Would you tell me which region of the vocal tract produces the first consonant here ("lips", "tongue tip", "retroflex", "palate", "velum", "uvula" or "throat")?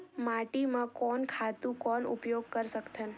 lips